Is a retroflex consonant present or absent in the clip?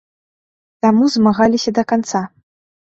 absent